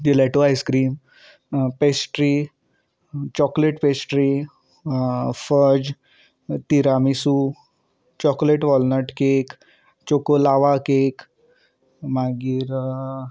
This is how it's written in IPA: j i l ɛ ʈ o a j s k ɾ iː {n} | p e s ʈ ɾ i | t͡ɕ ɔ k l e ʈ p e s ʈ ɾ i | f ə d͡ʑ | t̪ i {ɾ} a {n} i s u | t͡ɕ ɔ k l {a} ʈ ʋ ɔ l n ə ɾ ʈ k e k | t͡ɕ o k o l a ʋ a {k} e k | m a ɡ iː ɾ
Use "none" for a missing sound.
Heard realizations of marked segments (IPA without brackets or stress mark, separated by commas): m, ɾ, m, e, k